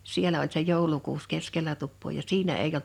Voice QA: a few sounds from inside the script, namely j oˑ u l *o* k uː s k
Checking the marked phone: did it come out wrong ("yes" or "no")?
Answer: yes